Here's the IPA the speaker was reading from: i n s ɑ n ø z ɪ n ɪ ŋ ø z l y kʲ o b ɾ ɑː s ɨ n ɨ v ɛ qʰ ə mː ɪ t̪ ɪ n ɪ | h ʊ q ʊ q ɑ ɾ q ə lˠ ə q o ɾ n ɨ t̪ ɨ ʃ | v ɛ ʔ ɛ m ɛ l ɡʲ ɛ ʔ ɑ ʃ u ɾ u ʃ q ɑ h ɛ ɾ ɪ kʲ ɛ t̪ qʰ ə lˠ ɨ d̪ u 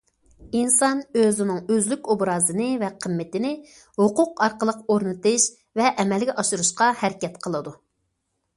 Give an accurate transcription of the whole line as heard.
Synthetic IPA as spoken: i n s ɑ n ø z ɪ n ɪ ŋ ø z l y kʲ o b ɾ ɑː z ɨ n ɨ v ɛ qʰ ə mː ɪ t̪ ɪ n ɪ | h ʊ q ʊ q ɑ ɾ q ə lˠ ə q o ɾ n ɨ t̪ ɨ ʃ | v ɛ ʔ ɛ m ɛ l ɡʲ ɛ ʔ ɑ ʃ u ɾ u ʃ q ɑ h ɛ ɾ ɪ kʲ ɛ t̪ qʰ ə lˠ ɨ d̪ u